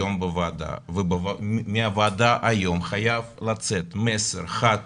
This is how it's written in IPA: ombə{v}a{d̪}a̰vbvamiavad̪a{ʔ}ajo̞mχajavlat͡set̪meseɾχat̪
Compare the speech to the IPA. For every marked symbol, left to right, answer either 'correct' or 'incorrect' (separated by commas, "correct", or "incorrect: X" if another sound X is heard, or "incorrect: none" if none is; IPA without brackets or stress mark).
correct, correct, correct